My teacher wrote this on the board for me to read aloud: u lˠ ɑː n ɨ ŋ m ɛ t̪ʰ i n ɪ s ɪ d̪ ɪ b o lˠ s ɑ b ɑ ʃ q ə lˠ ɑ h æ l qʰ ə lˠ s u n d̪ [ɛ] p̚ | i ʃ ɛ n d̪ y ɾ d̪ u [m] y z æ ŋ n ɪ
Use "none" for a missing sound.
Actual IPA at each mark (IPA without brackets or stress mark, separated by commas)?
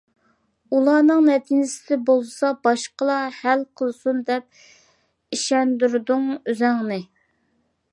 ɛ, ŋ